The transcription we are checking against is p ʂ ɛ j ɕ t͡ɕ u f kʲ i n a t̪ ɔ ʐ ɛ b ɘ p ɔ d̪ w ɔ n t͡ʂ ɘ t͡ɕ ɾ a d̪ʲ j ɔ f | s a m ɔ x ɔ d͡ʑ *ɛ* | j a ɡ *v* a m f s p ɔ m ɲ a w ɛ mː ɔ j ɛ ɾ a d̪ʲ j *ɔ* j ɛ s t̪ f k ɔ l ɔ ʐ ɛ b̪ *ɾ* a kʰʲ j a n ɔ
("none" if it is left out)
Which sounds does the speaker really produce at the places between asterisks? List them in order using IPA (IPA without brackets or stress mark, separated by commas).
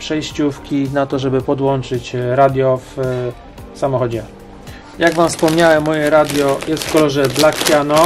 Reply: ɛ, v, ɔ, l